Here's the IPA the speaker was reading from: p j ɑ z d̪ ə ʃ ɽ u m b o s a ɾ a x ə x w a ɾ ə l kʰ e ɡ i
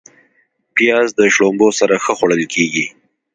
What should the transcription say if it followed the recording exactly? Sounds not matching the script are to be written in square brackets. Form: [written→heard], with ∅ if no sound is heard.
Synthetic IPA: p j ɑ z d̪ ə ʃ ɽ [u→o] m b o s a ɾ a x ə x w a [ɾ→ɽ] ə l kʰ e ɡ i